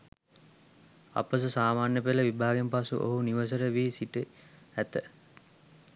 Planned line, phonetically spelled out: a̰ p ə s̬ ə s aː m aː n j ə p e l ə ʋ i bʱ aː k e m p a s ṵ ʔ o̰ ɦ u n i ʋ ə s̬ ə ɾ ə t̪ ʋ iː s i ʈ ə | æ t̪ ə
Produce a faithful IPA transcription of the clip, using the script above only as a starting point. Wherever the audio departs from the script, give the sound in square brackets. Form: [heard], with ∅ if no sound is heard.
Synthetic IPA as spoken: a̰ p ə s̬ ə s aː m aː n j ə p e l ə ʋ i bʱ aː [ɡ] e m p a s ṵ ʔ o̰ ɦ u n i ʋ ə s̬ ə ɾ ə [∅] ʋ iː s i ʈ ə | æ t̪ ə